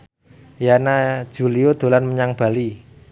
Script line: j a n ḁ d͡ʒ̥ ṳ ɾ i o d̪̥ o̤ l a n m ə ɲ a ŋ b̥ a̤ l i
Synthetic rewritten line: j a n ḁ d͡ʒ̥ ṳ l i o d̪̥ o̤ l a n m ə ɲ a ŋ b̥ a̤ l i